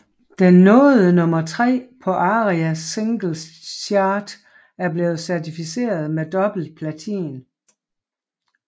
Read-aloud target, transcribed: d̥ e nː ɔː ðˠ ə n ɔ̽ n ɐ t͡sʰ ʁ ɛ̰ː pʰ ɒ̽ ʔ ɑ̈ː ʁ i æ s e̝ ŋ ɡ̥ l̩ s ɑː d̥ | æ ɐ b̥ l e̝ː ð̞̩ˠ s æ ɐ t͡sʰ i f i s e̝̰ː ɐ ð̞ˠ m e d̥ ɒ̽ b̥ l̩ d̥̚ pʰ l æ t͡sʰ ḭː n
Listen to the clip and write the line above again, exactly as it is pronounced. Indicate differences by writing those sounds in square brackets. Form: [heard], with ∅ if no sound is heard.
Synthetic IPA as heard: d̥ e nː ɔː ðˠ ə n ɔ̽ [m] ɐ t͡sʰ ʁ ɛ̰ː pʰ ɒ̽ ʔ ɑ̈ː ʁ i æ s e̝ ŋ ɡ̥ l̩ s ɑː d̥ | æ ɐ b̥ l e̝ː ð̞̩ˠ s æ ɐ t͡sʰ i f i s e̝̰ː ɐ ð̞ˠ m e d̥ ɒ̽ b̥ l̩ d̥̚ pʰ l æ t͡sʰ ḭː n

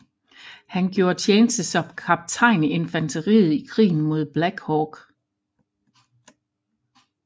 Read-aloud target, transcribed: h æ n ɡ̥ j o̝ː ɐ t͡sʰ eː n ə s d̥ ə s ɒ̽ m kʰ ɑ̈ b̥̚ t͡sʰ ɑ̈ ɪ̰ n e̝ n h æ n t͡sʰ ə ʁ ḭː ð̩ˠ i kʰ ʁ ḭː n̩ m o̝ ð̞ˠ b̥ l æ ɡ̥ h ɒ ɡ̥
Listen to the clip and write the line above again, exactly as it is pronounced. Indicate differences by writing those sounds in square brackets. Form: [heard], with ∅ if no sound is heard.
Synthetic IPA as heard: h æ n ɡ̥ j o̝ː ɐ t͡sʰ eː n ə s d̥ ə s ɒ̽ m kʰ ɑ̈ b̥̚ t͡sʰ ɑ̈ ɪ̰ n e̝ n [f] æ n t͡sʰ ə ʁ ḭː ð̩ˠ i kʰ ʁ ḭː n̩ m o̝ ð̞ˠ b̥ l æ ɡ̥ h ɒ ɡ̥

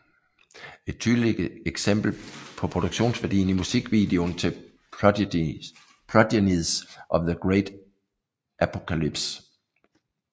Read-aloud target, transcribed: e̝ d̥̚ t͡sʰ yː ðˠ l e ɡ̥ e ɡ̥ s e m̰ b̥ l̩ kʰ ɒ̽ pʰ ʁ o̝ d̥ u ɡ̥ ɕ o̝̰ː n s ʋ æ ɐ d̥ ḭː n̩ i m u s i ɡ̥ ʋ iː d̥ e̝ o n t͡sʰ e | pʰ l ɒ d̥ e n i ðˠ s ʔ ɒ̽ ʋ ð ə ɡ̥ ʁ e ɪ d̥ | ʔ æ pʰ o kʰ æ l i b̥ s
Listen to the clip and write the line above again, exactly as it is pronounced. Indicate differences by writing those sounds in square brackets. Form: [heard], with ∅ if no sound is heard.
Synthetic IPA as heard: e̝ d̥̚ t͡sʰ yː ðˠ l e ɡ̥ e ɡ̥ s e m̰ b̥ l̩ [pʰ] ɒ̽ pʰ ʁ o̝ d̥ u ɡ̥ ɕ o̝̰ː n s ʋ æ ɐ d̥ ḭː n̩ i m u s i ɡ̥ ʋ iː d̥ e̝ o n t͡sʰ e | pʰ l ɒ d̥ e n i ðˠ s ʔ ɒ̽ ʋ ð ə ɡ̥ ʁ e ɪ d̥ | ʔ æ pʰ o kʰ æ l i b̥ s

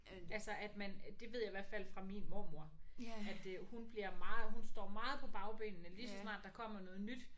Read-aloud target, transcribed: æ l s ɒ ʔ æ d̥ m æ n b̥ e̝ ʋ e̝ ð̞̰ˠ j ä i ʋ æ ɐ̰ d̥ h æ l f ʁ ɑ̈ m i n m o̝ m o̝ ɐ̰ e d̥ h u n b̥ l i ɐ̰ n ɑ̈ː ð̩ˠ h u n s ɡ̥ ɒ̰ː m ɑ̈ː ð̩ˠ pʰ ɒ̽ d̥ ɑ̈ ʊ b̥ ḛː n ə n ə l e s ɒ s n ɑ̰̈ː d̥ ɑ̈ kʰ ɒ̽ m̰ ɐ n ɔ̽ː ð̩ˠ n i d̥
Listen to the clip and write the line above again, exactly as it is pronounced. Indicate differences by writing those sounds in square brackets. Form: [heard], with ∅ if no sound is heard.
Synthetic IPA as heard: æ l s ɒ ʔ æ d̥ m æ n [d̥] e̝ ʋ e̝ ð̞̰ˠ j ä i ʋ æ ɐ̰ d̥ [f] æ l f ʁ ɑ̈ m i n m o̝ m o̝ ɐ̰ [æ] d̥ h u n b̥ l i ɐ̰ [m] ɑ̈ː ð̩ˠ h u n s [d̥] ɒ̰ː m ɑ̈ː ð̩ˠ pʰ ɒ̽ [b̥] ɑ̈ ʊ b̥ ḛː n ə n ə l [i] s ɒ s n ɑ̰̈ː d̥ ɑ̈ kʰ ɒ̽ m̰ ɐ n ɔ̽ː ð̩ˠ n [y] d̥

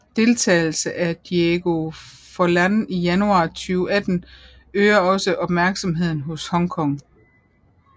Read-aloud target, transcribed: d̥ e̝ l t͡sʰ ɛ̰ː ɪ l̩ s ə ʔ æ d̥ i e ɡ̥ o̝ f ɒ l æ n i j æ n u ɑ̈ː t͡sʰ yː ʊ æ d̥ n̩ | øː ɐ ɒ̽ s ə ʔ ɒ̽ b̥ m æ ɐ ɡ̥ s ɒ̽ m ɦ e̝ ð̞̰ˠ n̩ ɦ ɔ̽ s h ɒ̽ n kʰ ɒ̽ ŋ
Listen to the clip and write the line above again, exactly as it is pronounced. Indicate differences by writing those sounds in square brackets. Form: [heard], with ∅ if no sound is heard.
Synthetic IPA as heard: d̥ e̝ l t͡sʰ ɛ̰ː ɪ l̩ s ə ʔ æ d̥ i e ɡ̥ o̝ f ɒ l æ n i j æ n u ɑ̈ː t͡sʰ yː ʊ æ d̥ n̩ | øː ɐ ɒ̽ s ə ʔ ɒ̽ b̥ m æ ɐ ɡ̥ s ɒ̽ m ɦ e̝ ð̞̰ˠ n̩ ɦ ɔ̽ s h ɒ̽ [ŋ] kʰ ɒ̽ ŋ

